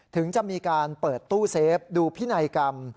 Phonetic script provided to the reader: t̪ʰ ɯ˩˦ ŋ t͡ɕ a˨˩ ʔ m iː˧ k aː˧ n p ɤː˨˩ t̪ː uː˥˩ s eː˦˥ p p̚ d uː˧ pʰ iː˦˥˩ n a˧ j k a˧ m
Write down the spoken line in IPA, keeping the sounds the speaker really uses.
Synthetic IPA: t̪ʰ ɯ˩˦ ŋ t͡ɕ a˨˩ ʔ m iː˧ k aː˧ n p ɤː˨˩ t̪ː uː˥˩ s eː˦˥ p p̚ d uː˧ pʰ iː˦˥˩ n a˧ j k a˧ m